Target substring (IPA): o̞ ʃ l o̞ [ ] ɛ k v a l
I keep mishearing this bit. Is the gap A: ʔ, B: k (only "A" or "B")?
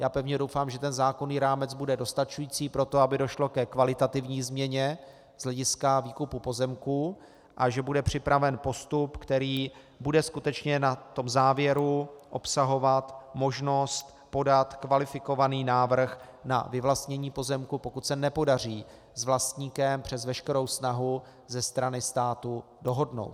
B